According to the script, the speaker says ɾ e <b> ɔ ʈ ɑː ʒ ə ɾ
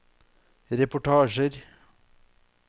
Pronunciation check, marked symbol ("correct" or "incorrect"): incorrect